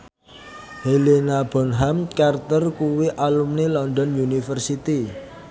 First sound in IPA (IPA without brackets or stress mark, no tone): h